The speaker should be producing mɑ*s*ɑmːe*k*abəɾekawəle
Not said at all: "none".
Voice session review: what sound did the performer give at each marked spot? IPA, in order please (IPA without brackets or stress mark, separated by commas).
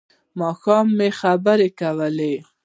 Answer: x, x